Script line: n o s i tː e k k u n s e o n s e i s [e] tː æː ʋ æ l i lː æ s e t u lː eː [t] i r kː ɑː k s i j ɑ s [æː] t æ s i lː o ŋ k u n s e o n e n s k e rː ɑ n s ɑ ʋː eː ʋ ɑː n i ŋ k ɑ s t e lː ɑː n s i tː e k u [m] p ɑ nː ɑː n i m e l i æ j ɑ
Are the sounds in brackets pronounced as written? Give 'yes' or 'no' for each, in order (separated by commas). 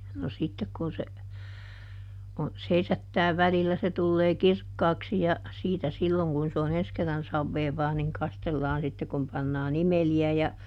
no, no, no, yes